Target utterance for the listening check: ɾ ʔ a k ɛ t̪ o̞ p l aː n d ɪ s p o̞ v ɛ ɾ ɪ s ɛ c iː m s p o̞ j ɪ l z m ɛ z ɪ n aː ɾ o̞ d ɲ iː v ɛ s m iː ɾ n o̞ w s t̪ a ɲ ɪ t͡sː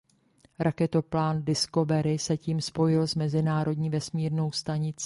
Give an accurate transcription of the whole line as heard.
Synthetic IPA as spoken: ɾ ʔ a k ɛ t̪ o̞ p l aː n d ɪ s k o̞ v ɛ ɾ ɪ s ɛ c iː m s p o̞ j ɪ l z m ɛ z ɪ n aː ɾ o̞ d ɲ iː v ɛ s m iː ɾ n o̞ w s t̪ a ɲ ɪ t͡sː